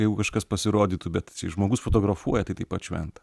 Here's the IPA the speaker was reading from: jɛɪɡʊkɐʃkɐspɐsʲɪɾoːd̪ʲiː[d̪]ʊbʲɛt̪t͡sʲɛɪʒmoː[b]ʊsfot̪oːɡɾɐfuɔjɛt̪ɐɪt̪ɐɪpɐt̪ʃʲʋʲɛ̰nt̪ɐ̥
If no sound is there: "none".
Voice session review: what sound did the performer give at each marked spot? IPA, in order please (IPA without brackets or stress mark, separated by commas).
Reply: t̪, ɡ